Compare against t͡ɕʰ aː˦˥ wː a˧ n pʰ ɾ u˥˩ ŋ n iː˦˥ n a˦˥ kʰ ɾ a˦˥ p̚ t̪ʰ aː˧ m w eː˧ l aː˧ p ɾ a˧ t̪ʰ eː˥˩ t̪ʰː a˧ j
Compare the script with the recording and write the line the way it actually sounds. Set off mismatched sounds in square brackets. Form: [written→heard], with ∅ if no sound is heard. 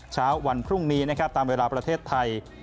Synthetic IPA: t͡ɕʰ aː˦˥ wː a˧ n pʰ ɾ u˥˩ ŋ n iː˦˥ n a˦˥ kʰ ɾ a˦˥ p̚ [t̪ʰ→t̪] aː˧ m w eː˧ l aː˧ p ɾ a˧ t̪ʰ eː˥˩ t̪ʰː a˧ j